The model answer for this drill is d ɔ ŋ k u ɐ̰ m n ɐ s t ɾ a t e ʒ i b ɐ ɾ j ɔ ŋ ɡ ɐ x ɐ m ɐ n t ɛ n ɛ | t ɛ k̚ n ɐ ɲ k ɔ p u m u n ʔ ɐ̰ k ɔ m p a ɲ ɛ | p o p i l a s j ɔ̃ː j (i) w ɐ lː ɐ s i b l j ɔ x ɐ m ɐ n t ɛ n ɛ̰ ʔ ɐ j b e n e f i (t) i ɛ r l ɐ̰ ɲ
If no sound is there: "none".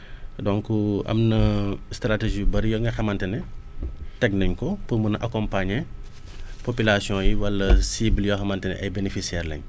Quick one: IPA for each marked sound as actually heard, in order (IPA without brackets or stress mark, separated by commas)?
i, s